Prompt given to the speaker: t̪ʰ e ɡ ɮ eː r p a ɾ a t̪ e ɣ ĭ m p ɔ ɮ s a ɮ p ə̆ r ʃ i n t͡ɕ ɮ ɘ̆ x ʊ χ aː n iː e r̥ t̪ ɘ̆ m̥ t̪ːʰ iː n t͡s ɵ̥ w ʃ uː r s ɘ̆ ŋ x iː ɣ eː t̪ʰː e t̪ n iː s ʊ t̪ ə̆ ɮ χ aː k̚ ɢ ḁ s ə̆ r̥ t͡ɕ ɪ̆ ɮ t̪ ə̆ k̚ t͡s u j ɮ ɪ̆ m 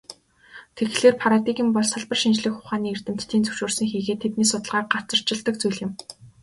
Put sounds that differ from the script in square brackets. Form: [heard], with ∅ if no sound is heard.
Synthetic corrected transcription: t̪ʰ e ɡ ɮ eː r [pʰ] a ɾ a t̪ [i] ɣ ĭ m p ɔ ɮ s a ɮ p ə̆ r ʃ i n t͡ɕ ɮ ɘ̆ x ʊ χ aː n iː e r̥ t̪ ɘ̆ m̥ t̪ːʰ iː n t͡s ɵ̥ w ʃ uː r s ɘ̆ ŋ x iː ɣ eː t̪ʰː e t̪ n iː s ʊ t̪ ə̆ ɮ [ʁ] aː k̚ ɢ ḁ [t͡s] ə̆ r̥ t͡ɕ ɪ̆ ɮ t̪ ə̆ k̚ t͡s u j ɮ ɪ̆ m